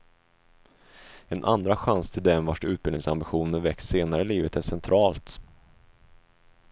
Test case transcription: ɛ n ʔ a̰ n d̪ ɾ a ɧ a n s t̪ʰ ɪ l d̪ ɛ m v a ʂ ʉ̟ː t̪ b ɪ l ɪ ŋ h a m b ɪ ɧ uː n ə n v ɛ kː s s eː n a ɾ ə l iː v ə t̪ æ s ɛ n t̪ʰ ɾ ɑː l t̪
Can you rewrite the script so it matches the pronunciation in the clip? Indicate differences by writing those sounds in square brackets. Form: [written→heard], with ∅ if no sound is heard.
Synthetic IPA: ɛ n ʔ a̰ n d̪ ɾ a ɧ a n s t̪ʰ ɪ l d̪ ɛ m v a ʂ ʉ̟ː t̪ b ɪ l ɪ ŋ [h→s] a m b ɪ ɧ uː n ə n v ɛ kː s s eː n a ɾ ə l iː v ə t̪ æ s ɛ n t̪ʰ ɾ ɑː l t̪